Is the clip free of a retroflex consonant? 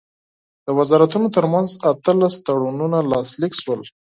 no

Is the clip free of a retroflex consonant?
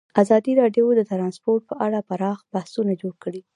no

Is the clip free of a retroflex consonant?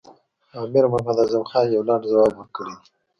no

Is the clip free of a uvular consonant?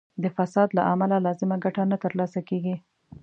yes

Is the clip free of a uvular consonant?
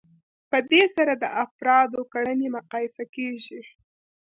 no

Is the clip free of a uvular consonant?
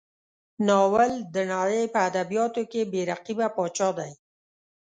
no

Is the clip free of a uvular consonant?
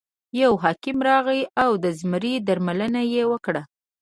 yes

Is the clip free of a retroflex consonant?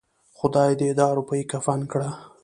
no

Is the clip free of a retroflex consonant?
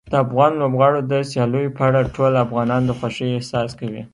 no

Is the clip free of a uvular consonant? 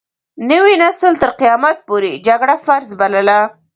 no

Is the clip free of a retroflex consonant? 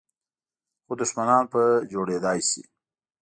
no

